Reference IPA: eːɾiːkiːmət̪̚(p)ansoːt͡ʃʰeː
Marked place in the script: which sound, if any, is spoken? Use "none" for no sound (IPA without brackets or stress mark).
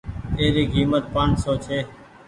p